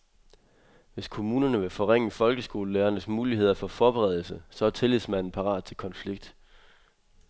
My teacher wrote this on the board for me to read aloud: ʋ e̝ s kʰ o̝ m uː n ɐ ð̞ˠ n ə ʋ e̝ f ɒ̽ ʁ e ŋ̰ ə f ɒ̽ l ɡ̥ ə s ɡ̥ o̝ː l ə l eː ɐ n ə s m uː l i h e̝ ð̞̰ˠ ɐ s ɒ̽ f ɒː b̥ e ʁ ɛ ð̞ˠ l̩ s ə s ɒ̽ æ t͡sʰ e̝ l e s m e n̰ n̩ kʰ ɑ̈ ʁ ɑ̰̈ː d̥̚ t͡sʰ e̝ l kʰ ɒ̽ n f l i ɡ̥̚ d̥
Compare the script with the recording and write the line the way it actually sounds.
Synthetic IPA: ʋ e̝ s kʰ o̝ m uː n ɐ n ə ʋ e̝ f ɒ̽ ʁ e ŋ̰ ə f ɒ̽ l ɡ̥ ə s ɡ̥ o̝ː l ə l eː ɐ n ə s m uː l i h e̝ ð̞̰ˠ ɐ f ɒ̽ f ɒː b̥ e ʁ ɛ ð̞ˠ l̩ s ə s ɒ̽ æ t͡sʰ e̝ l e s m æ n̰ n̩ pʰ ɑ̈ ʁ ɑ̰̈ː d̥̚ t͡sʰ e̝ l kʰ ɒ̽ n f l i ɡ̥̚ d̥